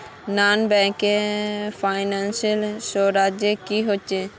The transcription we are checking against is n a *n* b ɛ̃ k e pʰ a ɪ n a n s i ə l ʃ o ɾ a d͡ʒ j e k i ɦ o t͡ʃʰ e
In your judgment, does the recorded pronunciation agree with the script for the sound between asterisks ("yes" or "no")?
yes